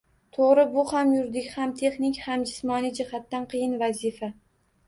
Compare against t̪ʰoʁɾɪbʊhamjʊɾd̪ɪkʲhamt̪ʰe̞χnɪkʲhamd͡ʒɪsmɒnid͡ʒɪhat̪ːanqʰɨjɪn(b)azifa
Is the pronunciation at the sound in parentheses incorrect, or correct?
incorrect